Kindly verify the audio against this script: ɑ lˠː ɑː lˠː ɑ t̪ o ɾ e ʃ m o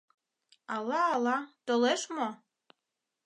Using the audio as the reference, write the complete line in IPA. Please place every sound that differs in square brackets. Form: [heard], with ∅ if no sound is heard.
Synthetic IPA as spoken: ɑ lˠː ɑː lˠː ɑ t̪ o [l] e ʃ m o